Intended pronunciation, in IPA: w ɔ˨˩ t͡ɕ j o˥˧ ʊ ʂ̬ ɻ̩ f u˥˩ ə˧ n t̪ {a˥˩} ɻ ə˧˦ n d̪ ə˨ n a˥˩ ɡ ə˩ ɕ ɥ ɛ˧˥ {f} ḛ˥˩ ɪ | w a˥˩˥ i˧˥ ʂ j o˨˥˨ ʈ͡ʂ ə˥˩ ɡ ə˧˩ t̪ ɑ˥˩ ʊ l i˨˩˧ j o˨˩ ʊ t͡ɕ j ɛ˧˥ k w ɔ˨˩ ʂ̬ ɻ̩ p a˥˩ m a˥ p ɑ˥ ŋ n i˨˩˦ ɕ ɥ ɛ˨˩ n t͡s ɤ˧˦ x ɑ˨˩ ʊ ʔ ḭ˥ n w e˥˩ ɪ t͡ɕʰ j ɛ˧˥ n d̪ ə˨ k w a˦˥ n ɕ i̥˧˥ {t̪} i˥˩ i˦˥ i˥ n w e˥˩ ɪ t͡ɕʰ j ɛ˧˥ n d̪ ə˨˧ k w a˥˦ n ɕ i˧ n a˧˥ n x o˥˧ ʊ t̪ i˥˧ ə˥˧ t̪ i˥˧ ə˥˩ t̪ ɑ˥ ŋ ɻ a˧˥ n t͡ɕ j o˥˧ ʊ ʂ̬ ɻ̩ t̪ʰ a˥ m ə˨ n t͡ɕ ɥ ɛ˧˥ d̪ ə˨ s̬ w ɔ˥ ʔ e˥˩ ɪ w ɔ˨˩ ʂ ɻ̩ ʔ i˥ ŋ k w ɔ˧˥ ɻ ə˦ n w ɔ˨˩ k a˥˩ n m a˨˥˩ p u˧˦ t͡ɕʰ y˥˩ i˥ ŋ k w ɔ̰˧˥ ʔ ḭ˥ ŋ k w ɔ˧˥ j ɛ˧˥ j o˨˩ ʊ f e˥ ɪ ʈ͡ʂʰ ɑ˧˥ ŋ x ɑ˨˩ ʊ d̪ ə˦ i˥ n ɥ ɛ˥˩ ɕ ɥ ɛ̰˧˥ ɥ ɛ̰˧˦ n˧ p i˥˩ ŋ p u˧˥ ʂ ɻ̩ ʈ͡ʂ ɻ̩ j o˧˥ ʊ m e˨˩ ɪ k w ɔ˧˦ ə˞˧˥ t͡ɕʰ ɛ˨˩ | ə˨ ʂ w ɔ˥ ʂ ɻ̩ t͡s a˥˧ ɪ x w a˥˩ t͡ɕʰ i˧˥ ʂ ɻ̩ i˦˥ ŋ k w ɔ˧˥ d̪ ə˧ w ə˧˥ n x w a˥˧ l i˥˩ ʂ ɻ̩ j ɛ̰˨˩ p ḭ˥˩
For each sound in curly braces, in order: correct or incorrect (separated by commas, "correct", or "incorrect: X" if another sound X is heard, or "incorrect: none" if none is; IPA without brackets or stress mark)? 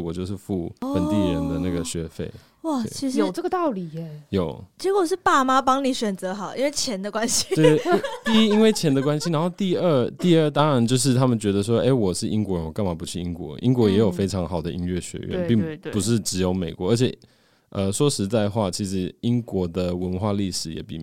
incorrect: i˥˩, correct, correct